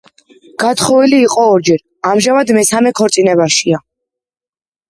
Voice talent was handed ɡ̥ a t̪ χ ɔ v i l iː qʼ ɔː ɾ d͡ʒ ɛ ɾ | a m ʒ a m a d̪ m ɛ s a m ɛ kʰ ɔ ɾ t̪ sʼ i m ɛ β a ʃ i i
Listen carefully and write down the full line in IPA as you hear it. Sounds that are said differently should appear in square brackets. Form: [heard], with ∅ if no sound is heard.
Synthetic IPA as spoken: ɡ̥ a t̪ χ ɔ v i l iː qʼ ɔː ɾ d͡ʒ ɛ ɾ | a m ʒ a m a d̪ m ɛ s a m ɛ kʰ ɔ ɾ t̪ sʼ i [n] ɛ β a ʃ i [a]